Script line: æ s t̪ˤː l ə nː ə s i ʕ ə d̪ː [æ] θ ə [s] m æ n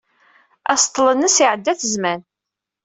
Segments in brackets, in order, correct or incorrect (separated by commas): correct, incorrect